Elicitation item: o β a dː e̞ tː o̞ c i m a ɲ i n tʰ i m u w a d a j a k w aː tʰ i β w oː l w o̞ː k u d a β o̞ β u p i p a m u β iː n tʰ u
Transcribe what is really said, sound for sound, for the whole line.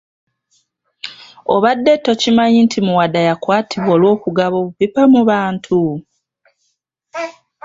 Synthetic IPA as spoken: o β a dː e̞ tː o̞ c i m a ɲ i n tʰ i m u w a d a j a k w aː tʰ i β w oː l w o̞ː k u ɡ a β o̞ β u p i p a m u β aː n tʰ u

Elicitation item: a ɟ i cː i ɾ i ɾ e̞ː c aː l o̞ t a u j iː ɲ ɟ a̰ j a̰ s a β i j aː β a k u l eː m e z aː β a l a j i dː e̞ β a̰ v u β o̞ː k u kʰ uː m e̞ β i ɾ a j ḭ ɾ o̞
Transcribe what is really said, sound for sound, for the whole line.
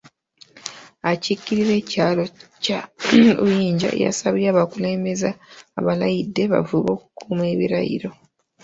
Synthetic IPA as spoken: a c i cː i ɾ i ɾ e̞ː c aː l o̞ c a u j iː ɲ ɟ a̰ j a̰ s a β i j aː β a k u l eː m e z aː β a l a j i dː e̞ β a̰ v u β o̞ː k u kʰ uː m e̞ β i ɾ a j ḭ ɾ o̞

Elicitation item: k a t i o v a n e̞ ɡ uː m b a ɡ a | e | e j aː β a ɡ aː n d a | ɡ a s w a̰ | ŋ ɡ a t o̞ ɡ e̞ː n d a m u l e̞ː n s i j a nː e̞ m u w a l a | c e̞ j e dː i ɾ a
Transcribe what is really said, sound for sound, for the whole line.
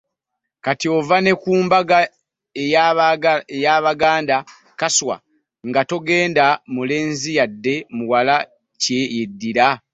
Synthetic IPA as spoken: k a t i o v a n e̞ k uː m b a ɡ a | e | e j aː β a ɡ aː n d a | k a s w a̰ | ŋ ɡ a t o̞ ɡ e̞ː n d a m u l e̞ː n z i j a dː e̞ m u w a l a | c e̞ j e dː i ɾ a

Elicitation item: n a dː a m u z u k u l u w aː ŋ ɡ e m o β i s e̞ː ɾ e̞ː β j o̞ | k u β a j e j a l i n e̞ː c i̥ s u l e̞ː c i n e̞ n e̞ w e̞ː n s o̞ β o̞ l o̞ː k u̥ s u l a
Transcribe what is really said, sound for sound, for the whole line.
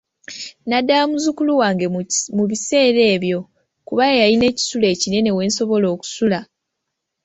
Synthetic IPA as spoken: n a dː a m u z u k u l u w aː ŋ ɡ e m u β i s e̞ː ɾ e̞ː β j o̞ | k u β a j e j a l i n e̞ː c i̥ s u l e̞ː c i n e̞ n e̞ w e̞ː n s o̞ β o̞ l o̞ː k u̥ s u l a

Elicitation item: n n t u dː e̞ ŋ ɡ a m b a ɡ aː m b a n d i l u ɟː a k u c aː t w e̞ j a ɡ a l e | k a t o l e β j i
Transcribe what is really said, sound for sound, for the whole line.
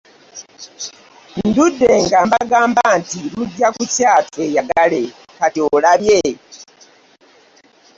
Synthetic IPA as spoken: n n d u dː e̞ ŋ ɡ a m b a ɡ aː m b a n t i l u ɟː a k u c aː t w e̞ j a ɡ a l e | k a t o l a β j e

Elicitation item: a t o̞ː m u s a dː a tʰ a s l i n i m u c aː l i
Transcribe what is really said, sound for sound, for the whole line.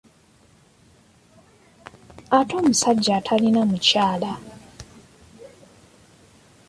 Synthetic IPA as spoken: a t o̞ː m u s a ɟː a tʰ a l i n a m u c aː l a

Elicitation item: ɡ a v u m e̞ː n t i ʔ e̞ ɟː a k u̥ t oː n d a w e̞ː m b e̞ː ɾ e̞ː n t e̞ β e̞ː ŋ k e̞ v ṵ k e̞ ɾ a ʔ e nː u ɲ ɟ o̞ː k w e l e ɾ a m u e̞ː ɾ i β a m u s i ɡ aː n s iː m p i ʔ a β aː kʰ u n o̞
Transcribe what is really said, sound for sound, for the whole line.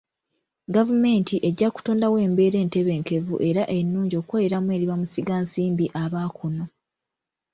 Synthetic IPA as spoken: ɡ a v u m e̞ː n t i ʔ e̞ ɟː a k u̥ t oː n d a w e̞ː m b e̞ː ɾ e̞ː n t e̞ β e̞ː ŋ k e̞ v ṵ ʔ e̞ ɾ a ʔ e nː uː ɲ ɟ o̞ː k w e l e ɾ a m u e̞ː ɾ i β a m u s i ɡ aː n s iː m b i ʔ a β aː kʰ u n o̞

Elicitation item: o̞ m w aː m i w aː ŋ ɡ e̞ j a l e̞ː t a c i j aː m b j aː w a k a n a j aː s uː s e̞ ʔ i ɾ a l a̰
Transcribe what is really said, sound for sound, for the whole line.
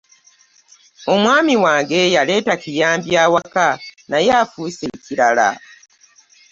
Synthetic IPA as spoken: o̞ m w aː m i w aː ŋ ɡ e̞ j a l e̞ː t a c i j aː m b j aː w a k a n a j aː f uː s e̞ c i ɾ a l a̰

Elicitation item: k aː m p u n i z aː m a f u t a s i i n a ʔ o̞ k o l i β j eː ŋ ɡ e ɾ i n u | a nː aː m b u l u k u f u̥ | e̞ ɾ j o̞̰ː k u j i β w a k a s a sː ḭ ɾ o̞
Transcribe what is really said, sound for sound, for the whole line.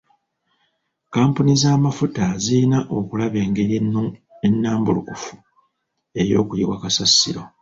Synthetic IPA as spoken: k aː m p u n i z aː m a f u t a z i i n a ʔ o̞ k u l a β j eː ŋ ɡ e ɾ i n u | e nː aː m b u l u k u f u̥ | e̞ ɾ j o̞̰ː k u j i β w a k a s a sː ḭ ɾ o̞

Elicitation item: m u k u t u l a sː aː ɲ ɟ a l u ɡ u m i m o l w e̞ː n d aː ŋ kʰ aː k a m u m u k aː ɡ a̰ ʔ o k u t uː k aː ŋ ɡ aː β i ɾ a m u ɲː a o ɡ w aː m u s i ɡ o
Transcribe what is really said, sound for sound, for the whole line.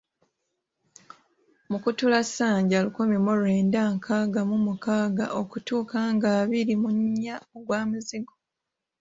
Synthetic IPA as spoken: m u k u t u l a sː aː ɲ ɟ a l u k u m i m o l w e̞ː n d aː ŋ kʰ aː ɡ a m u m u k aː ɡ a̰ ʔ o k u t uː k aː ŋ ɡ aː β i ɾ i m u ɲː a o ɡ w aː m u z i ɡ o

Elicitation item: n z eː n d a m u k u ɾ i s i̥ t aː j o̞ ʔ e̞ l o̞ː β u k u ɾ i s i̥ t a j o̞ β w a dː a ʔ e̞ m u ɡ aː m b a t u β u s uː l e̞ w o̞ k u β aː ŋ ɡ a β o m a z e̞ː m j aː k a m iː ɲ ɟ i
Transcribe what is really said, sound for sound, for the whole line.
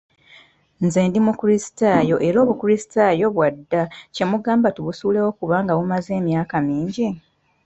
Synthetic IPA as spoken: n z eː n d i m u k u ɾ i s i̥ t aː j o̞ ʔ e̞ ɾ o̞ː β u k u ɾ i s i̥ t a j o̞ β w a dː a c e̞ m u ɡ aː m b a t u β u s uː l e̞ w o̞ k u β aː ŋ ɡ a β u m a z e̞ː m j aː k a m iː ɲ ɟ i

